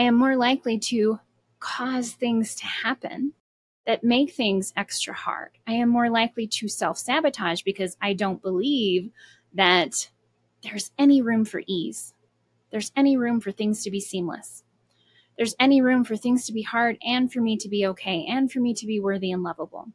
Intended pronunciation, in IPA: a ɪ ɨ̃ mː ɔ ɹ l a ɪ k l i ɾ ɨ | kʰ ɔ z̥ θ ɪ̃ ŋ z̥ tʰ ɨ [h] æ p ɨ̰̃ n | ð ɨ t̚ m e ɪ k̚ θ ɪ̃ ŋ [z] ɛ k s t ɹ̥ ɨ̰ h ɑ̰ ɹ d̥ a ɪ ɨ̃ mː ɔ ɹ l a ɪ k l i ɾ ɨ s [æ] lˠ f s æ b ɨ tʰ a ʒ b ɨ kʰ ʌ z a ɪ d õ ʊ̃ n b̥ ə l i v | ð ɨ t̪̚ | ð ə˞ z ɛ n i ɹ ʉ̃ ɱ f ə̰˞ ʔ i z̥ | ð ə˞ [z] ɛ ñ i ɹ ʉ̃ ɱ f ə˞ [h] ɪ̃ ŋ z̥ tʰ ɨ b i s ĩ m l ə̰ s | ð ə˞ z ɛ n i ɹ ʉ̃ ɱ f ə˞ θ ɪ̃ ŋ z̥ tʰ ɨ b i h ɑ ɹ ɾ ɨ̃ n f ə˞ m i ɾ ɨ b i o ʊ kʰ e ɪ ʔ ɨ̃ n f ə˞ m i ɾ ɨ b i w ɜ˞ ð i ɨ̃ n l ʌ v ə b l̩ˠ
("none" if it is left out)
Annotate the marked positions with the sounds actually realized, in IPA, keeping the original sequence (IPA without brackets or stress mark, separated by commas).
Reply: h, z, ɛ, z, θ